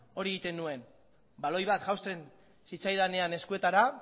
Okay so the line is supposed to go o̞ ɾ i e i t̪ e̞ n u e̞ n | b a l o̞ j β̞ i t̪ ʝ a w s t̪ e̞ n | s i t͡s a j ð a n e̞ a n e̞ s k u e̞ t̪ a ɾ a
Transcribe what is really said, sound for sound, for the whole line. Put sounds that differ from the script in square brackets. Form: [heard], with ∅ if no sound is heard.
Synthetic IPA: o̞ ɾ i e i t̪ e̞ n u e̞ n | b a l o̞ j β̞ [a] t̪ ʝ a w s t̪ e̞ n | s i t͡s a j ð a n e̞ a n e̞ s k u e̞ t̪ a ɾ a